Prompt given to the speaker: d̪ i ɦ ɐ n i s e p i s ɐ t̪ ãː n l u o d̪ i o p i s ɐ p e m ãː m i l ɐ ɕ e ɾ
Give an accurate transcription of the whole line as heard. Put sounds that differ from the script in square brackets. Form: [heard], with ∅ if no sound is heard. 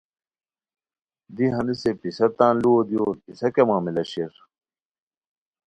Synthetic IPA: d̪ i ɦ ɐ n i s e p i s ɐ t̪ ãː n l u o d̪ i o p i s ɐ [k] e m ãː m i l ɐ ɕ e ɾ